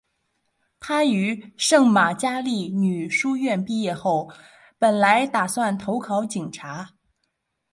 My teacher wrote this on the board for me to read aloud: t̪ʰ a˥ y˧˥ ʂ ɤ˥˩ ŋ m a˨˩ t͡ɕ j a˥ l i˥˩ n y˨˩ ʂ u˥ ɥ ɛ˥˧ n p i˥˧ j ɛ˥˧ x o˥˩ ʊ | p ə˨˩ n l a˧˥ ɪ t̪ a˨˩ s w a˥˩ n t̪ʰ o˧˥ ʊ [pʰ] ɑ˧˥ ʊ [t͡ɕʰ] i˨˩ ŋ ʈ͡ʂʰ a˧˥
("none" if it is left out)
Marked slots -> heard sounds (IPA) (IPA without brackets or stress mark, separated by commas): kʰ, t͡ɕ